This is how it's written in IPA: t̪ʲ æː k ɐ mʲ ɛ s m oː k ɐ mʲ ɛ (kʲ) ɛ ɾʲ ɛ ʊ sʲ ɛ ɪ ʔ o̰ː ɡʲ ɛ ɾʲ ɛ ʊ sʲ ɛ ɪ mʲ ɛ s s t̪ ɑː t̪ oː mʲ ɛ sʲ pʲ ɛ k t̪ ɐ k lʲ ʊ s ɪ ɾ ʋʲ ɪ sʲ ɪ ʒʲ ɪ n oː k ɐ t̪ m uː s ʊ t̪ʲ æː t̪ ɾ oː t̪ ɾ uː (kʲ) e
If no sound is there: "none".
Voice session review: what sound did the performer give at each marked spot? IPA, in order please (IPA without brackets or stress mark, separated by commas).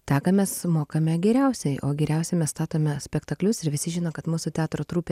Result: ɡʲ, pʲ